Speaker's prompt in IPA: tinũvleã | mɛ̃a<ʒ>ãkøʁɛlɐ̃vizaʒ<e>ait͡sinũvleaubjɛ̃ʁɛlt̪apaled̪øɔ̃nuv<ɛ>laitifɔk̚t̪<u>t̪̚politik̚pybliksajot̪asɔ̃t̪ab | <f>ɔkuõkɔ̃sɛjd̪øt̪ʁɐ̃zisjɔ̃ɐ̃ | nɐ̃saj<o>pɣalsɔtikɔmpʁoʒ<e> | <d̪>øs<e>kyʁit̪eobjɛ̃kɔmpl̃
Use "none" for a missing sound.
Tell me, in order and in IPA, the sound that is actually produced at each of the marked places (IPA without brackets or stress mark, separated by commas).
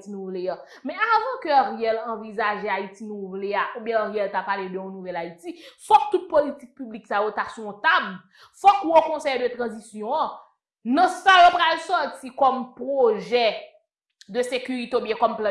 v, e, ɛ, u, f, o, ɛ, d̪, e